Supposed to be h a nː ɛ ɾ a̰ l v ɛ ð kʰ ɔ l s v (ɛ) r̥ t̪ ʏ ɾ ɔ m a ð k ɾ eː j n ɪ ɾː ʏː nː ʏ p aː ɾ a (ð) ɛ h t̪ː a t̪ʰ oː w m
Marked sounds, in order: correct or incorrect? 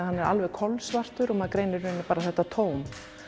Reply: incorrect: a, incorrect: θ

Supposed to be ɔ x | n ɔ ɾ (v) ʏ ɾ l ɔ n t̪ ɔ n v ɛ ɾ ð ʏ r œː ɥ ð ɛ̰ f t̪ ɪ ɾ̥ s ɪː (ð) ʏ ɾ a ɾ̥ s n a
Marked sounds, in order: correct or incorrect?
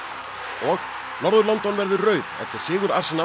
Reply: incorrect: ð, incorrect: ɣ

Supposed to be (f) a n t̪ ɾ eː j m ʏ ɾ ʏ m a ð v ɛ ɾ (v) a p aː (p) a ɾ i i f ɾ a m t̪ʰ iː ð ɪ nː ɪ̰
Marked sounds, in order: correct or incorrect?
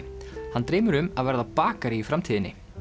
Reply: incorrect: h, incorrect: ð, incorrect: k

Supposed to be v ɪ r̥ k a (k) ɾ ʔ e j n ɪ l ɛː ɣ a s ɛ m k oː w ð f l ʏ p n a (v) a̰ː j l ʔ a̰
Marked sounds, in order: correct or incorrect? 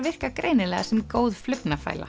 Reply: correct, incorrect: f

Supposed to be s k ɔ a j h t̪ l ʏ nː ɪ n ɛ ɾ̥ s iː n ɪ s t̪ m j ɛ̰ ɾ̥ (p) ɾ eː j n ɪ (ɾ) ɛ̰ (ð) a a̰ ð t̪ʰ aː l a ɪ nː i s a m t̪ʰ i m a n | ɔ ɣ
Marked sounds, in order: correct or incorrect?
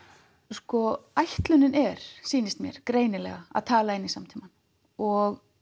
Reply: incorrect: k, incorrect: l, incorrect: ɣ

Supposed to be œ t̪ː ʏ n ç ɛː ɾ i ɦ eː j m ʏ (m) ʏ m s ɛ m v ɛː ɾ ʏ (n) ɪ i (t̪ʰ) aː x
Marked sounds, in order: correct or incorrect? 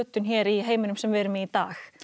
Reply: incorrect: n, incorrect: m, incorrect: t̪

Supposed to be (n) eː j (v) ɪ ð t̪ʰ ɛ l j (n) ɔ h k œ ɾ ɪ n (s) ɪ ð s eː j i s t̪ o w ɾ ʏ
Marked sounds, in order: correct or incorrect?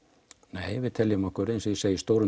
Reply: correct, correct, incorrect: m, correct

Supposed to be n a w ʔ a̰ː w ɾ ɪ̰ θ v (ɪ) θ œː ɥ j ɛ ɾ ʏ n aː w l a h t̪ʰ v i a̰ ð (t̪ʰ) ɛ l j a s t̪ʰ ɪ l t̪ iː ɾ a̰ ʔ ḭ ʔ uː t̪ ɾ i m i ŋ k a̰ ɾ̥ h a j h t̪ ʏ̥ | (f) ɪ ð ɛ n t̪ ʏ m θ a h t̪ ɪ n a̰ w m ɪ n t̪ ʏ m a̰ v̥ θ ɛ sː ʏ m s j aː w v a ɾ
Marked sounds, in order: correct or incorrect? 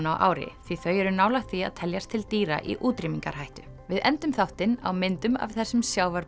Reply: incorrect: i, correct, incorrect: v

